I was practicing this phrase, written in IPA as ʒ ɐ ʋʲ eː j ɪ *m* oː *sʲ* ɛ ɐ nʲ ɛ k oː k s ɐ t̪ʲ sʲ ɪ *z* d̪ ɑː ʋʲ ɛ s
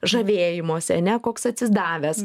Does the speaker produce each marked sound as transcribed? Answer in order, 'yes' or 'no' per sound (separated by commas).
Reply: yes, yes, yes